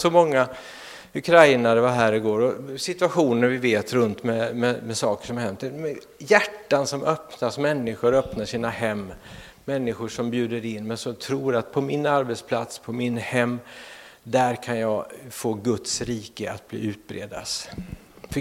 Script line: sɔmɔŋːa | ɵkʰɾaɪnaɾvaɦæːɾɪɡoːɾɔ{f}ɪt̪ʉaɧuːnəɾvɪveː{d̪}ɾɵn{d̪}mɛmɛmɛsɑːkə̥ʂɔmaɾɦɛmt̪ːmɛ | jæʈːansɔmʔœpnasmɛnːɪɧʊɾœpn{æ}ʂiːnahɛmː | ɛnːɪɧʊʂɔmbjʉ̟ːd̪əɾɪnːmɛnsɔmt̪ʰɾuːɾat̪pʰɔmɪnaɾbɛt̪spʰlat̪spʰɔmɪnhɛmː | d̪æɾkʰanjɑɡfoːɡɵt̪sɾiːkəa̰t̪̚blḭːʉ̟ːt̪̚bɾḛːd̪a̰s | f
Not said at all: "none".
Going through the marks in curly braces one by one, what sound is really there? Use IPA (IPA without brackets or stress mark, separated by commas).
s, t̪, t̪, a